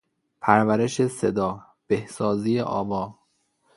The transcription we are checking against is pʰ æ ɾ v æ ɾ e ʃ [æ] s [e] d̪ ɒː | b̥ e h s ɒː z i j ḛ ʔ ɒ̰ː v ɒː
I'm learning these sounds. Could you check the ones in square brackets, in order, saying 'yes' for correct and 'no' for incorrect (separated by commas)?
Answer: no, yes